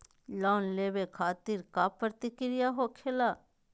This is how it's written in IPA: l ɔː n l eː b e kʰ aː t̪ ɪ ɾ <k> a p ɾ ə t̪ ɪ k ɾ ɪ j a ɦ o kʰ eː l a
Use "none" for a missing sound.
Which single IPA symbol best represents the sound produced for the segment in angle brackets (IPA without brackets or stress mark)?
k